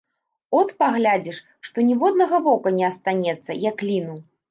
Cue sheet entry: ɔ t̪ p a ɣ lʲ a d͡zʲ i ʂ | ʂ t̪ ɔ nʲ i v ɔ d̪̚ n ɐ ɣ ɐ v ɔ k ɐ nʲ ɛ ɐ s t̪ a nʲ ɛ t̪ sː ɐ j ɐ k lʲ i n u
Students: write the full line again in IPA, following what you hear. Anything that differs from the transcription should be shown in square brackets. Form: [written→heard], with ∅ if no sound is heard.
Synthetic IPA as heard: ɔ t̪ p a ɣ lʲ a d͡zʲ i ʂ | ʂ t̪ ɔ nʲ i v ɔ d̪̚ n ɐ ɣ ɐ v ɔ k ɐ nʲ ɛ ɐ s t̪ a nʲ ɛ t̪ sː ɐ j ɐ k lʲ i n u